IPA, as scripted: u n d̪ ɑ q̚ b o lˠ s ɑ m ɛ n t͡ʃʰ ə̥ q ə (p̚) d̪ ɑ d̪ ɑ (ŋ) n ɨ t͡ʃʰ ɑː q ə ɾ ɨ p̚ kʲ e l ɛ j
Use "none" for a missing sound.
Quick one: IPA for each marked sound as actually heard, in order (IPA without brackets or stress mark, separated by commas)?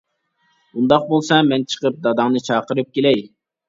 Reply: p̚, ŋ